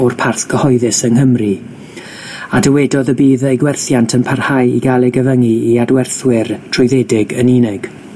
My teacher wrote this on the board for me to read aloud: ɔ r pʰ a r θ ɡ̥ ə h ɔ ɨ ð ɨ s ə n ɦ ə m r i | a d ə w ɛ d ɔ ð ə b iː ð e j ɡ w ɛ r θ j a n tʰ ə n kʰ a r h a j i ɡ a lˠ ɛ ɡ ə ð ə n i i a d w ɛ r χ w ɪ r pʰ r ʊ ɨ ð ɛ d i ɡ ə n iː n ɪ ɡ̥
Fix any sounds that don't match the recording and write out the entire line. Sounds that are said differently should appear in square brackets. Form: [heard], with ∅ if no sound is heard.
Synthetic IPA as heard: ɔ r pʰ a r θ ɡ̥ ə h ɔ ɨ ð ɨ s ə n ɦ ə m r i | a d ə w ɛ d ɔ ð ə b iː ð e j ɡ w ɛ r θ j a n tʰ ə n [pʰ] a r h a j i ɡ a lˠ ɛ ɡ ə [v] ə [ŋ] i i a d w ɛ r [θ] w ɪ r [tʰ] r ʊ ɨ ð ɛ d [ɪ] ɡ ə n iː n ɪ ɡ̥